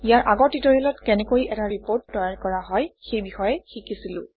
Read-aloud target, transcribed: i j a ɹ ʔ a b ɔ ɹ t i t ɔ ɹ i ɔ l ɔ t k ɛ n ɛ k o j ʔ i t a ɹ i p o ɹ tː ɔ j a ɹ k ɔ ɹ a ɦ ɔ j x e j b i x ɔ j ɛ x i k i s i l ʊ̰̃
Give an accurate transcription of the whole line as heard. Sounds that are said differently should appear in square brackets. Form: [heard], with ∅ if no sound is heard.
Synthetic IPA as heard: i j a ɹ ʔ a [ɡ] ɔ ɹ t i t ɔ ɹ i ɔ l ɔ t k ɛ n ɛ k o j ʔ [ɛ] t a ɹ i p o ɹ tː ɔ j a ɹ k ɔ ɹ a ɦ ɔ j x e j b i x ɔ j ɛ x i k i s i l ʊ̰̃